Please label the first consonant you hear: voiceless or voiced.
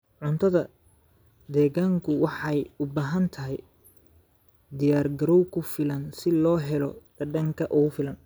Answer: voiced